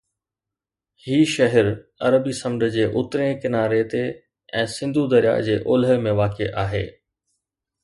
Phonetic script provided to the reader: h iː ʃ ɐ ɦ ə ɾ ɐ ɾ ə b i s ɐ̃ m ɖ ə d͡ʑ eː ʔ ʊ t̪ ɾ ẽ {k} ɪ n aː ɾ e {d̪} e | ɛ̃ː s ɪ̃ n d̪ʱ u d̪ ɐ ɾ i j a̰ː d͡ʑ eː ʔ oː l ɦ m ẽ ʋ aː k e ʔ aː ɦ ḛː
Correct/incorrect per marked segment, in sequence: correct, incorrect: t̪

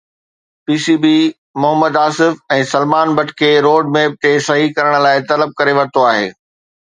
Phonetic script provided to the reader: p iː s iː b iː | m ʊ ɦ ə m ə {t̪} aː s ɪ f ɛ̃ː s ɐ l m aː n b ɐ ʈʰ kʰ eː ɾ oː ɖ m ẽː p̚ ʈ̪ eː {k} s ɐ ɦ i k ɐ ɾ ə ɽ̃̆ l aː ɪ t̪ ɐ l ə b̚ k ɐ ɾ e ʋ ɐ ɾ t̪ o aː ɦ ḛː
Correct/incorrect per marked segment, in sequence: incorrect: d̪, incorrect: none

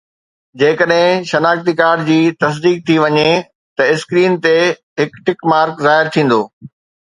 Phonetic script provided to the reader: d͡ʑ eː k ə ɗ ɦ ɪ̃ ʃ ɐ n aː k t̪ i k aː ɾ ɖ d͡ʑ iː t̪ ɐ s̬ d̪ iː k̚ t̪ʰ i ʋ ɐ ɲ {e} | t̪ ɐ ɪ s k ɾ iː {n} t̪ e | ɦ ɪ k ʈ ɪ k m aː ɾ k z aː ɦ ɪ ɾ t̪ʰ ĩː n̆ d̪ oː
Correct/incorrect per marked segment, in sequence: correct, correct

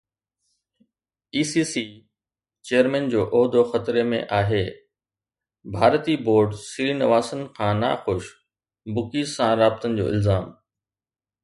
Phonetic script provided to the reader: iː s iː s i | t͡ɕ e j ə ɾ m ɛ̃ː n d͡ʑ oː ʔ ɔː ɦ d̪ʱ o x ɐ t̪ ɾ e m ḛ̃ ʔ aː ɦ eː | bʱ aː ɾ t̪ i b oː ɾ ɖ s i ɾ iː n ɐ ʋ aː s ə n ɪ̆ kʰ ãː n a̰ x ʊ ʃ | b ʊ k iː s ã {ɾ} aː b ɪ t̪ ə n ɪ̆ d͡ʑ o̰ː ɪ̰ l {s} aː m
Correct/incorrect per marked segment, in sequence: correct, incorrect: z

